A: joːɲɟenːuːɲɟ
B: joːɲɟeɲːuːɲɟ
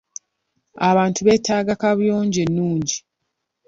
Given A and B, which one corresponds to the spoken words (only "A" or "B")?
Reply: A